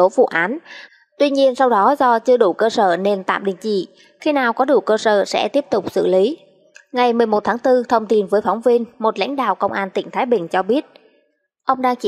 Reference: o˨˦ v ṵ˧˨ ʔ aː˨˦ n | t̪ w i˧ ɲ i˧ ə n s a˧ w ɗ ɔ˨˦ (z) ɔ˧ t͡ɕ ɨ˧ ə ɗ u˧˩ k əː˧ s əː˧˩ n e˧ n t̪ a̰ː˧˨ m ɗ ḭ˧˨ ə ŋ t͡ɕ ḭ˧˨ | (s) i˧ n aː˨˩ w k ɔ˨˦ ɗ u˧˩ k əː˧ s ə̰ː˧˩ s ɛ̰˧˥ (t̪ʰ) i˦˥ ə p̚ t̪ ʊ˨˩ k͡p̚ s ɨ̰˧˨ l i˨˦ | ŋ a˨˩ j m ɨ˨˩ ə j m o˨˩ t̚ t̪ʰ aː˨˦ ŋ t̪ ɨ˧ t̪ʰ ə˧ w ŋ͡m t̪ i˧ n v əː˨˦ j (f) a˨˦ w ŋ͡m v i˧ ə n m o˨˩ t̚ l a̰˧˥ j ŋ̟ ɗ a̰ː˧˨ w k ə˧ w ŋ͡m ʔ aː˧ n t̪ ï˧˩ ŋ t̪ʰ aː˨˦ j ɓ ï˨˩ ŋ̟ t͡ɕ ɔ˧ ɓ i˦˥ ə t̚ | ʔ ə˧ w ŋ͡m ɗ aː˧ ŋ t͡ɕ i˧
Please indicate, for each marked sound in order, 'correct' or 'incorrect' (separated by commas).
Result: correct, incorrect, incorrect, correct